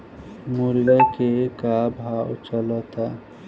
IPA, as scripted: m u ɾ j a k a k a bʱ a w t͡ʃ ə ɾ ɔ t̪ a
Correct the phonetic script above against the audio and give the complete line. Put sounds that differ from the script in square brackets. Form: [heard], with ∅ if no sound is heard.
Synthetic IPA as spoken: m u ɾ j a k [e] k a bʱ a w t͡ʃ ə [l] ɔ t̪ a